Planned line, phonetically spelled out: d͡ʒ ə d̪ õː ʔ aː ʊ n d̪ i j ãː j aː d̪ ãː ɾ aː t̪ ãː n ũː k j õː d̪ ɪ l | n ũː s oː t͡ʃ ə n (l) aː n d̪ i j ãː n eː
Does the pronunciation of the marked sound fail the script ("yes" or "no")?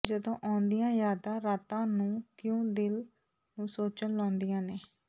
no